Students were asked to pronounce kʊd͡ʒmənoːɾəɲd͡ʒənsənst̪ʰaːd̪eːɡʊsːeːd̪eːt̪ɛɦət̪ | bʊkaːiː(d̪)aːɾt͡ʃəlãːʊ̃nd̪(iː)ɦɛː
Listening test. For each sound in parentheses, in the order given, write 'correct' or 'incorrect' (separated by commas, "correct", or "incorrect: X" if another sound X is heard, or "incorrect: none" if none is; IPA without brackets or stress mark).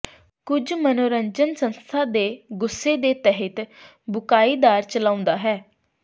correct, incorrect: aː